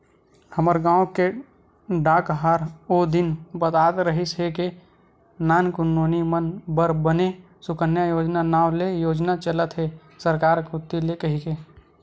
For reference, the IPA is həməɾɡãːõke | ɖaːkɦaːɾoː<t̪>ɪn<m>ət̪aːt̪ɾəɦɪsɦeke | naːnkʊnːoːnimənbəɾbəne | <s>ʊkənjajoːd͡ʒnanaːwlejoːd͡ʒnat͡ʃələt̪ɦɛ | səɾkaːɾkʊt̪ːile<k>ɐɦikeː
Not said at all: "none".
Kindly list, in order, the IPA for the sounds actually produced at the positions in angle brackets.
d̪, b, s, k

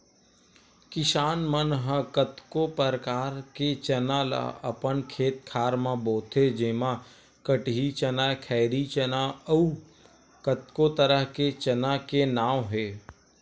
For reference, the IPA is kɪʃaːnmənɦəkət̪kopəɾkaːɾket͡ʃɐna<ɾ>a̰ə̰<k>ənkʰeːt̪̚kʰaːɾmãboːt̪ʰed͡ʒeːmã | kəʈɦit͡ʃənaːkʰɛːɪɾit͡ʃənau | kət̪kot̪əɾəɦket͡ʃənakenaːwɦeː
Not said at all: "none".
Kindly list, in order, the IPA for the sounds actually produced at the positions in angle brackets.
l, p

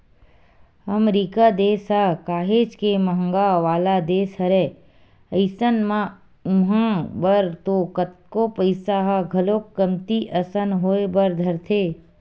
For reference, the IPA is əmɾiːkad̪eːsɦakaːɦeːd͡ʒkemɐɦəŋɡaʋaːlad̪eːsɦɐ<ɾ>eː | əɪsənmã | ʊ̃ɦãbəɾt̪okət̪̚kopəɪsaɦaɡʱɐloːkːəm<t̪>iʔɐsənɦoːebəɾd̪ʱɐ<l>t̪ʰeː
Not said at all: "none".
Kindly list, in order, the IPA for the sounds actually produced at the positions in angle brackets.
ɾ, t̪, ɾ

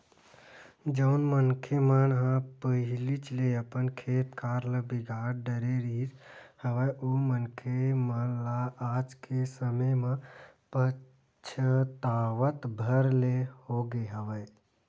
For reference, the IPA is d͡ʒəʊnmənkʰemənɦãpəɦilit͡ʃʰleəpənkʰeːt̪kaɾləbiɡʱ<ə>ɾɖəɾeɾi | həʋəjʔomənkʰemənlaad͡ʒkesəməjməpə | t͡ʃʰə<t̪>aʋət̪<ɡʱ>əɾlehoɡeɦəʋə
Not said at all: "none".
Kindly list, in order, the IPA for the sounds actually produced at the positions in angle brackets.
a, t̪, bʱ

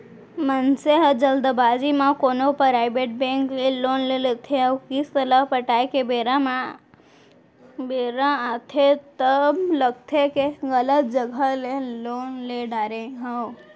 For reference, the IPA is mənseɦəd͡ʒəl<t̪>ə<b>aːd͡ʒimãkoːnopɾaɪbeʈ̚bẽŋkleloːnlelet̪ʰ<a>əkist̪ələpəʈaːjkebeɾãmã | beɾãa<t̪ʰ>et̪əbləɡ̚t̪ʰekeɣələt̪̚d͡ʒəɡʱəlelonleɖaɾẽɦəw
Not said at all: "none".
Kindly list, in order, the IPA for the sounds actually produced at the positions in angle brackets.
d̪, b, e, t̪ʰ

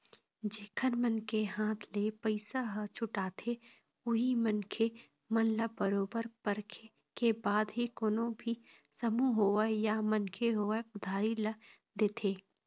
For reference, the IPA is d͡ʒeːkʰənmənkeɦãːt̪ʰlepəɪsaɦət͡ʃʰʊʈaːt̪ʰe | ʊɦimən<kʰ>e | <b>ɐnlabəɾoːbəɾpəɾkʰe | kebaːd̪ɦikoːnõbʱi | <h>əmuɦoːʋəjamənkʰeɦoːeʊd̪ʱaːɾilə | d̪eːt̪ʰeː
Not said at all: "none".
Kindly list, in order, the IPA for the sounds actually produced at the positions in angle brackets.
kʰ, m, s

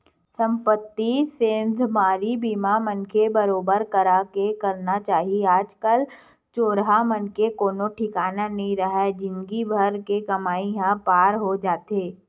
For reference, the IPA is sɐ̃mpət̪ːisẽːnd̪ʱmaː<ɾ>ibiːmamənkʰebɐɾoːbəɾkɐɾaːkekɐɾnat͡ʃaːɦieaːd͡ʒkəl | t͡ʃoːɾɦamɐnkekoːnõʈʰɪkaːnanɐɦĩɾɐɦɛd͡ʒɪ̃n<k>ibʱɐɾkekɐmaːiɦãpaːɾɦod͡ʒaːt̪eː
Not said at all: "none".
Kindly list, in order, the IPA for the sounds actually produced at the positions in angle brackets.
ɾ, ɡ

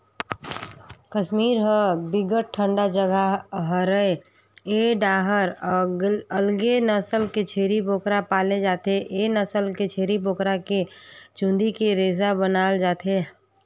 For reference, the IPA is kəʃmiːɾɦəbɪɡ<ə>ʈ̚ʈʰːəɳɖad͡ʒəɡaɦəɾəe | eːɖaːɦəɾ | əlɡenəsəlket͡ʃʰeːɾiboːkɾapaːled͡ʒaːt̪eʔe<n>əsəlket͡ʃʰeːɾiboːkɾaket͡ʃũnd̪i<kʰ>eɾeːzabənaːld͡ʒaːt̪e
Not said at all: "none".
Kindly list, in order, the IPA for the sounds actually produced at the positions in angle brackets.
ə, n, k

